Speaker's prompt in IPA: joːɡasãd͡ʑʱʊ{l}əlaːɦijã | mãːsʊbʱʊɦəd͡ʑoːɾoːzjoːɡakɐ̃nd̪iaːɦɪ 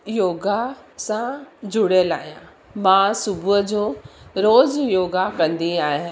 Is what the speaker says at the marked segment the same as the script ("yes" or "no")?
no